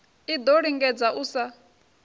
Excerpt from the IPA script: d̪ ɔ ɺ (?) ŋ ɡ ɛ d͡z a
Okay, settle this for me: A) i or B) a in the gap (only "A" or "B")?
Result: A